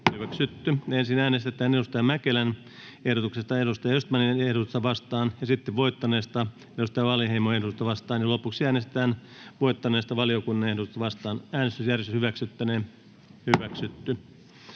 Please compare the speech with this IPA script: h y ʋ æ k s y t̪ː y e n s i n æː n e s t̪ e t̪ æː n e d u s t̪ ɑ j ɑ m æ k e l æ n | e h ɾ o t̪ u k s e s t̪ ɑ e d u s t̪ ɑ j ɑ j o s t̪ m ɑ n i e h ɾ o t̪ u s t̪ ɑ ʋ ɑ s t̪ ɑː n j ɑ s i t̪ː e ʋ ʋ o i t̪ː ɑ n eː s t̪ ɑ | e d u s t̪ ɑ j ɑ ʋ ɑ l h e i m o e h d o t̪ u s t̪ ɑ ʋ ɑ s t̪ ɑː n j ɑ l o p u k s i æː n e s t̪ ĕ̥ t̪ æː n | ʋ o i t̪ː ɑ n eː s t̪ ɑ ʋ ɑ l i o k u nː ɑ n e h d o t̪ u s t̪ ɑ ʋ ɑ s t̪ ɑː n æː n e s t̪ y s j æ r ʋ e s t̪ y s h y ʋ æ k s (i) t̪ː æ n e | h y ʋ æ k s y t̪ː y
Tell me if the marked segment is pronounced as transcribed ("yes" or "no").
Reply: no